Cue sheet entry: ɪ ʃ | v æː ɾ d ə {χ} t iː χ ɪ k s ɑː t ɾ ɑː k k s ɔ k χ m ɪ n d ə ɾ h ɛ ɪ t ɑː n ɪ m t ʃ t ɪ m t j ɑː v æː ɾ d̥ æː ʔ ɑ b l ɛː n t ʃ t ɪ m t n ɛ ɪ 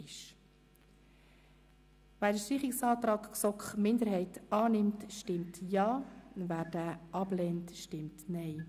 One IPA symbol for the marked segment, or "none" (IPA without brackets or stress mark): ʃ